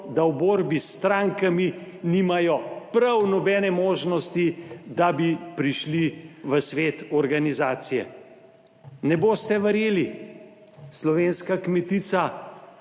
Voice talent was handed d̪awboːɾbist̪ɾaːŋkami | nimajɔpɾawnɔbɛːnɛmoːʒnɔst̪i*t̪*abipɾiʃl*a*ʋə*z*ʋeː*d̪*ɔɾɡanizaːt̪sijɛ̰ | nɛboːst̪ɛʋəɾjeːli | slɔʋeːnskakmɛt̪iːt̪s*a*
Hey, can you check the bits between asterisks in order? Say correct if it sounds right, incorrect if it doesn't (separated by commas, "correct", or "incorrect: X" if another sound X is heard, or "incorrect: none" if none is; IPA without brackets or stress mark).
incorrect: d̪, incorrect: i, incorrect: s, incorrect: t̪, correct